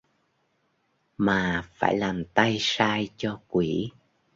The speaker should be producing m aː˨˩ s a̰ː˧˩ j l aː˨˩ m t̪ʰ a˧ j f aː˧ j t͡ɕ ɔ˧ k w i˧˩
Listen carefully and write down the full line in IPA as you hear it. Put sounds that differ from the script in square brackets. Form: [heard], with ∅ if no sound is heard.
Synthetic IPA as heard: m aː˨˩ [f] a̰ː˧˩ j l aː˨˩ m [t̪] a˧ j [s] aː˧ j t͡ɕ ɔ˧ k w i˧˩